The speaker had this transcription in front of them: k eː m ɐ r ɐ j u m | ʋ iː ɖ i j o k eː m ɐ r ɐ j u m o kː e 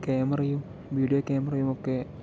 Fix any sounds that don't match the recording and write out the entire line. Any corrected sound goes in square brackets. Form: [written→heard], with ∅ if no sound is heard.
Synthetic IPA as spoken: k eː m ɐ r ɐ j u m | ʋ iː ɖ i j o k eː m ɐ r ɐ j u m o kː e